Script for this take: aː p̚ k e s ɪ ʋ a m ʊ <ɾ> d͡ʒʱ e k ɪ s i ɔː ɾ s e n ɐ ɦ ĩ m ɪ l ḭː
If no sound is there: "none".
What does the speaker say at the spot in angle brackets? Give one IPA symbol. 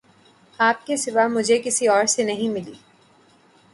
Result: none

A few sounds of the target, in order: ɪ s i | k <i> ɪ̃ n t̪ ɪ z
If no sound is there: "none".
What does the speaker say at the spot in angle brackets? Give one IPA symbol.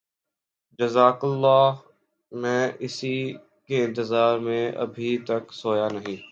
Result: e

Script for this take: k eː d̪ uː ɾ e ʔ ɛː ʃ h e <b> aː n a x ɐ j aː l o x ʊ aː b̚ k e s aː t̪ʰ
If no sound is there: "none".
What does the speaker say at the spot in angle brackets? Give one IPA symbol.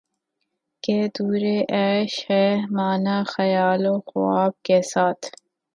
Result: m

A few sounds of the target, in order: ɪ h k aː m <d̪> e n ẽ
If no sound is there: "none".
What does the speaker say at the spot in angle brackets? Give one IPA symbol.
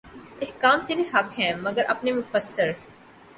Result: t̪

